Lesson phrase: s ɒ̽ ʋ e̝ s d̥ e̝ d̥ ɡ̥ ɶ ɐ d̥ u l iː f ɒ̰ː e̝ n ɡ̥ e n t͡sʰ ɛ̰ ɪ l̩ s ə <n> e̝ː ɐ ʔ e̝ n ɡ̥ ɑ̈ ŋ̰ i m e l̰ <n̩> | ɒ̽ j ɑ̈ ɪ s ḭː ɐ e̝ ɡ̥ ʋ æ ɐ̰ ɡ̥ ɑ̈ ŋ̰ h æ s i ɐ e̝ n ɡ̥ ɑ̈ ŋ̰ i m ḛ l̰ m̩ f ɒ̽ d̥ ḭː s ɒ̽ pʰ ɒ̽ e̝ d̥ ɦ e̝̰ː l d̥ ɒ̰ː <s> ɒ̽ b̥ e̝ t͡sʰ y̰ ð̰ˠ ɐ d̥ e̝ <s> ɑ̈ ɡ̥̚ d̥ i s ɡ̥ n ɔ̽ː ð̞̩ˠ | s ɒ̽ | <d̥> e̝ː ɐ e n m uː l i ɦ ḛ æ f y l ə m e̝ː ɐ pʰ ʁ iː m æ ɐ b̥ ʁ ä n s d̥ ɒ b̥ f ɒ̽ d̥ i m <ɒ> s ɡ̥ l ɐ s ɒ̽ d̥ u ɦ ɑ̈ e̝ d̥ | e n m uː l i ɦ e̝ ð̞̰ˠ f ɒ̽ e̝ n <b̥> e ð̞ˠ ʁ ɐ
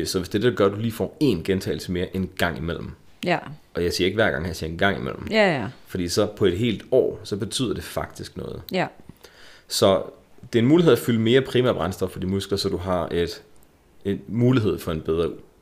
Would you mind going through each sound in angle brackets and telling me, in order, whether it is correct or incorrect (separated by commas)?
incorrect, incorrect, correct, incorrect, correct, incorrect, correct